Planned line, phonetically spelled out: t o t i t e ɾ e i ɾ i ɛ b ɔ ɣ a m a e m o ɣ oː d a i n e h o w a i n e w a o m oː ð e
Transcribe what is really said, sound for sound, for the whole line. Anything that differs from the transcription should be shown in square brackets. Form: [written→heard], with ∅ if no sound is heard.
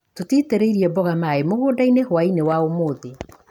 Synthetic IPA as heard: t o t i t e ɾ e i ɾ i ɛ b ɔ ɣ a m a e m o ɣ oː d a i n e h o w a i n e w a o m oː ð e